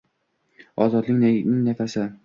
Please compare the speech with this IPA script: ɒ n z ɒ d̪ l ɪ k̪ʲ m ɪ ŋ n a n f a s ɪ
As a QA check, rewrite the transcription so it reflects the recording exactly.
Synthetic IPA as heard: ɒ z ɒ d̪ l ɪ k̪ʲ n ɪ ŋ n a f a s ɪ